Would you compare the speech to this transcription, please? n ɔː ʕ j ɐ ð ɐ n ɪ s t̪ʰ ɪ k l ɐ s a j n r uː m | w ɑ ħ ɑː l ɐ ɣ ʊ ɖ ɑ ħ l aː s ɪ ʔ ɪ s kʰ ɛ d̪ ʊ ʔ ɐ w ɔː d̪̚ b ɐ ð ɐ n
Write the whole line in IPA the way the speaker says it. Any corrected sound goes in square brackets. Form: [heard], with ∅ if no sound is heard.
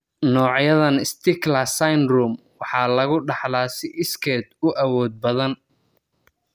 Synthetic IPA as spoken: n ɔː ʕ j ɐ ð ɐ n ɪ s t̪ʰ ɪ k l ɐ s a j n r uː m | w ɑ ħ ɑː l ɐ ɣ ʊ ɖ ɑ ħ l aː s ɪ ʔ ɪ s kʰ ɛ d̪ ʊ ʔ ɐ w ɔː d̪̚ b ɐ ð ɐ n